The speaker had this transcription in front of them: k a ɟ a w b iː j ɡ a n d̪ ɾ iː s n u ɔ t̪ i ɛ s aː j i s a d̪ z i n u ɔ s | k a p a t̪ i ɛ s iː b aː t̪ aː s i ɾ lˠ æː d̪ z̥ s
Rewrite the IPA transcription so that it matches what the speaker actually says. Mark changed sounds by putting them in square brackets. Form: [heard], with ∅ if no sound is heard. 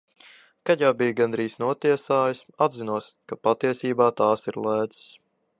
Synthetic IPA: k a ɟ a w b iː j ɡ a n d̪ ɾ iː s n u ɔ t̪ i ɛ s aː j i s a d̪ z i n u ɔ s | k a p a t̪ i ɛ s iː b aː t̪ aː s i ɾ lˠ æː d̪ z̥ s